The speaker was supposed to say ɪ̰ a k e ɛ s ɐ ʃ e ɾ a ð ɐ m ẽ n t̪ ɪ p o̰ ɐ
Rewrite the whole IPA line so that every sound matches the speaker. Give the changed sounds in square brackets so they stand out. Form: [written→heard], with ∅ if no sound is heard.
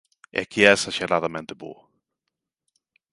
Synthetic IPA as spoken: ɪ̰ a k [e→i] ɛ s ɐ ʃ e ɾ a ð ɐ m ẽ n t̪ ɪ [p→b] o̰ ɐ